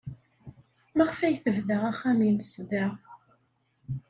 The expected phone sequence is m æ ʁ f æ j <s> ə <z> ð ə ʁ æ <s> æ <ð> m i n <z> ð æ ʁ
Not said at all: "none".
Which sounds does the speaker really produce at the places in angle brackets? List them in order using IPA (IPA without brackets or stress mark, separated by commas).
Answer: θ, v, χ, none, s